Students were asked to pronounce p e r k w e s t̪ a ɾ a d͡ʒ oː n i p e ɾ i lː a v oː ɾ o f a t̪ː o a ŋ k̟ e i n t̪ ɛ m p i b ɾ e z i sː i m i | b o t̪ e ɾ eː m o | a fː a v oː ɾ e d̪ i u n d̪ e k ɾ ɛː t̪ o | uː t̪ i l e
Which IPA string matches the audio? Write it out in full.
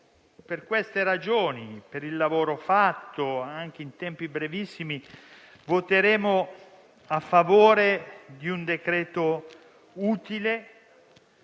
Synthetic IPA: p e r k w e s t̪ e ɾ a d͡ʒ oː n i p e ɾ i lː a v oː ɾ o f a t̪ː o a ŋ k̟ e i n t̪ ɛ m p i b ɾ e v i sː i m i | v o t̪ e ɾ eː m o | a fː a v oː ɾ e d̪ i u n d̪ e k ɾ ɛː t̪ o | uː t̪ i l e